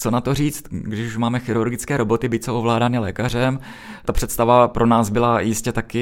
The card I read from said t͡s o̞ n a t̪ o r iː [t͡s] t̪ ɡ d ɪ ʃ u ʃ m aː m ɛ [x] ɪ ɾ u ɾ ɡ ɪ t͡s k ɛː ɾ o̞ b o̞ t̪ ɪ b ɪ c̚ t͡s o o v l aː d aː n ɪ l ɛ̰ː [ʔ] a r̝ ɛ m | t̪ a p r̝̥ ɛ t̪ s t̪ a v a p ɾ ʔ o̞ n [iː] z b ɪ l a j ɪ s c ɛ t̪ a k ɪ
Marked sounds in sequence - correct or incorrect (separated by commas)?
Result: correct, correct, incorrect, incorrect